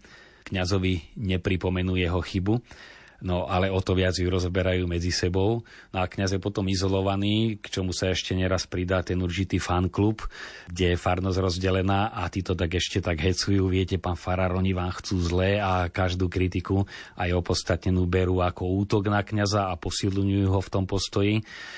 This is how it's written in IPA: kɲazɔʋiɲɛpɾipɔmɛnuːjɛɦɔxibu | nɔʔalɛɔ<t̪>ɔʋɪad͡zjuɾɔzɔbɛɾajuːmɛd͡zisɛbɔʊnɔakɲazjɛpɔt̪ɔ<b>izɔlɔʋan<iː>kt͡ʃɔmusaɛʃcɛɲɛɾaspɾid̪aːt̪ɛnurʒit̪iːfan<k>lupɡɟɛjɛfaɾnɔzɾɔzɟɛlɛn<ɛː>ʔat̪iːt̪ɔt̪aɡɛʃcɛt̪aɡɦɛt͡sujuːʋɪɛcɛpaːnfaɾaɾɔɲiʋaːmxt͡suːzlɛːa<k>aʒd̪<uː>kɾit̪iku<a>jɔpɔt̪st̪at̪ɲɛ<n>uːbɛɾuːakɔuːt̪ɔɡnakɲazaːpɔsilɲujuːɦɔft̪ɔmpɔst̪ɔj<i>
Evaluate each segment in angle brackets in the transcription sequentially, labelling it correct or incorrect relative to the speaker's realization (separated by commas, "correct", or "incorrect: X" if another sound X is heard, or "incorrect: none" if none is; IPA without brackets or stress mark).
correct, incorrect: m, correct, correct, incorrect: aː, correct, correct, correct, correct, correct